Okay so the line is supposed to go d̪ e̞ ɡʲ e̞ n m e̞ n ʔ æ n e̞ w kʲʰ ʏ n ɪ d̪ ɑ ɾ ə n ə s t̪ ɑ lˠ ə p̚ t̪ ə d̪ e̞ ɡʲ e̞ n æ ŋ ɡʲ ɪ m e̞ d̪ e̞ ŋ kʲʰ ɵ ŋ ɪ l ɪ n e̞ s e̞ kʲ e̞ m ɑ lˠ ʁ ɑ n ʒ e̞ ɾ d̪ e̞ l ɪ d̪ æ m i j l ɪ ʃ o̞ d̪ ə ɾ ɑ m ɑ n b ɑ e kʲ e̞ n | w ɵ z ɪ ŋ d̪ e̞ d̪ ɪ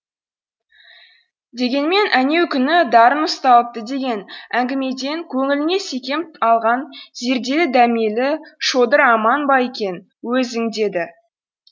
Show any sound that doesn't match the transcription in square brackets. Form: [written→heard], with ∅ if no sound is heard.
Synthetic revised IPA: d̪ e̞ ɡʲ e̞ n m e̞ n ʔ æ n e̞ w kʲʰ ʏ n ɪ d̪ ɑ ɾ ə n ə s t̪ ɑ lˠ ə p̚ t̪ ə d̪ e̞ ɡʲ e̞ n æ ŋ ɡʲ ɪ m e̞ d̪ e̞ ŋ kʲʰ ɵ ŋ ɪ l ɪ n e̞ s e̞ kʲ e̞ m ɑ lˠ ʁ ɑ n [ʒ→z] e̞ ɾ d̪ e̞ l ɪ d̪ æ m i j l ɪ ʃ o̞ d̪ ə ɾ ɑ m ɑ n b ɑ e kʲ e̞ n | w ɵ z ɪ ŋ d̪ e̞ d̪ ɪ